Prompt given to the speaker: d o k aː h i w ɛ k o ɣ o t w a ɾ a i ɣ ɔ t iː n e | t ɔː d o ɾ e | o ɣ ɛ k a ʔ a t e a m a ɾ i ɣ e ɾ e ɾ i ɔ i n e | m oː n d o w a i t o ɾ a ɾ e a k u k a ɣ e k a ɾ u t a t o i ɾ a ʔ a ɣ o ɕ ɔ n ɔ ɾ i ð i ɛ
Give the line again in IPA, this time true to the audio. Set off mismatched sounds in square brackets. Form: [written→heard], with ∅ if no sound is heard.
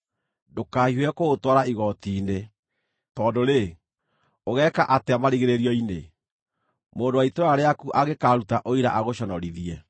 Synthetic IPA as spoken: d o k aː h i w ɛ k o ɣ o t w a ɾ a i ɣ ɔ t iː n e | t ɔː d o ɾ e | o ɣ ɛ k a ʔ a t e a m a ɾ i ɣ e ɾ e ɾ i ɔ i n e | m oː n d o w a i t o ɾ a ɾ e a k u [k→ʔ] a ɣ e k a ɾ u t a [t→ʔ] o i ɾ a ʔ a ɣ o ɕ ɔ n ɔ ɾ i ð i ɛ